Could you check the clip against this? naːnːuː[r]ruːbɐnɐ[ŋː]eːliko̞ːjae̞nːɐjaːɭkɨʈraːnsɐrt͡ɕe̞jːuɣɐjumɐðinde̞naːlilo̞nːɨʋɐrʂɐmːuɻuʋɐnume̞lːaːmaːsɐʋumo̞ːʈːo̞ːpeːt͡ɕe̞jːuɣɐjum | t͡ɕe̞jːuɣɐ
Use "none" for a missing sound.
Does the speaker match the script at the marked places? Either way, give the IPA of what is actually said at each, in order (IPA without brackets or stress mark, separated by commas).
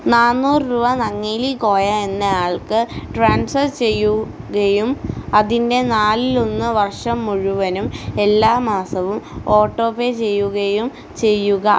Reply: r, ŋː